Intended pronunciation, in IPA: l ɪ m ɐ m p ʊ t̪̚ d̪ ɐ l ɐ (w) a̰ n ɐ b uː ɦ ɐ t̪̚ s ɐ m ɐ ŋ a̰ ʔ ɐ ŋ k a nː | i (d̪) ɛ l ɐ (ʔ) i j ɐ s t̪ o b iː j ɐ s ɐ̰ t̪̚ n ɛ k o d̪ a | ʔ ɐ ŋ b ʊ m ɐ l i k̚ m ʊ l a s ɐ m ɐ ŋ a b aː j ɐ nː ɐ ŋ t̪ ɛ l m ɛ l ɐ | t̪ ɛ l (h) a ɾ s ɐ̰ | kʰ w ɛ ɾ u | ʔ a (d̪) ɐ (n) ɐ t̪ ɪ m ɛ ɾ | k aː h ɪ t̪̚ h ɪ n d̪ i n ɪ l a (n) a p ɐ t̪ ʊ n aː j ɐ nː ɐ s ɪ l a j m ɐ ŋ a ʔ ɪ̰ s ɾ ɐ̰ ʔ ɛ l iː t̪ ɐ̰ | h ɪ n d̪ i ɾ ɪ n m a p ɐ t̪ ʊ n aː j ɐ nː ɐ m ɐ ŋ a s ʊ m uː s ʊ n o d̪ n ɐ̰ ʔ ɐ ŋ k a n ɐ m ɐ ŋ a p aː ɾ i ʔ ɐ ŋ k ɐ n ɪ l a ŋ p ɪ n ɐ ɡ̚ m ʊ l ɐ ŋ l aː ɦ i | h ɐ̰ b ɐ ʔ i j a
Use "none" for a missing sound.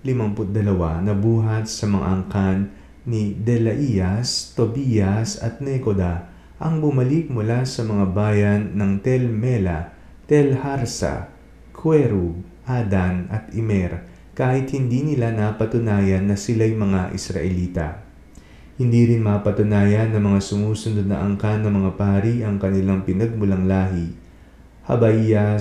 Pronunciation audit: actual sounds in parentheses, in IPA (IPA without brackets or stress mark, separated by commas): w, d̪, ʔ, h, d̪, n, n